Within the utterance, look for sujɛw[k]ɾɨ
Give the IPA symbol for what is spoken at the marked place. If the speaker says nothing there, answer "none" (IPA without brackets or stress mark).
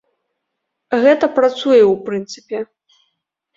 p